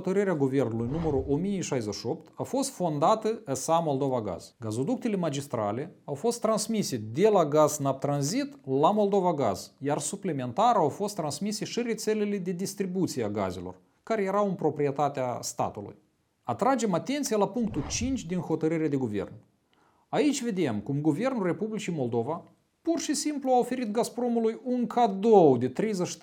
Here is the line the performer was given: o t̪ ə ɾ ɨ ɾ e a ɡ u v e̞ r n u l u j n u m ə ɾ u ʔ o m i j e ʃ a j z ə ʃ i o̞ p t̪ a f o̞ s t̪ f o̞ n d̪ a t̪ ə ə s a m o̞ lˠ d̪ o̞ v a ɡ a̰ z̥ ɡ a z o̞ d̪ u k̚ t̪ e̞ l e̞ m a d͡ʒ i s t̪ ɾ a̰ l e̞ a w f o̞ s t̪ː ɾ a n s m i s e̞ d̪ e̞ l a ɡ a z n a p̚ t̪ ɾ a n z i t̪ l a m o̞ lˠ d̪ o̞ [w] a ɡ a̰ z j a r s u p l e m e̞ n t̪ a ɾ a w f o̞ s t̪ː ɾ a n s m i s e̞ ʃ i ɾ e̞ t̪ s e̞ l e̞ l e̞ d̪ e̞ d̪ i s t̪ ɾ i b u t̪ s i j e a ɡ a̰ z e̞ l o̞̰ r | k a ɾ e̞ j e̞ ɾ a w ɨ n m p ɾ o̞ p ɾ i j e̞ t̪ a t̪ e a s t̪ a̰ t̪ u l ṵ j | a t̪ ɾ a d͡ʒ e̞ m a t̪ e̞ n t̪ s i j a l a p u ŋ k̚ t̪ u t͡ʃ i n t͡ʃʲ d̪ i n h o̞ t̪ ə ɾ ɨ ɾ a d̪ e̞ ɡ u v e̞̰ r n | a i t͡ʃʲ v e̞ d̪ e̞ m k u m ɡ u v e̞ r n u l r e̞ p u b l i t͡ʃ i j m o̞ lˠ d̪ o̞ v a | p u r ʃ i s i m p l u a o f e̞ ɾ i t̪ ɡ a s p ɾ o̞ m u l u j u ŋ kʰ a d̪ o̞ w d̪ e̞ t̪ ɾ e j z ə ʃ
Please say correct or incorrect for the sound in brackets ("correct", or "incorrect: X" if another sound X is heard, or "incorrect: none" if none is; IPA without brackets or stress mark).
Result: incorrect: v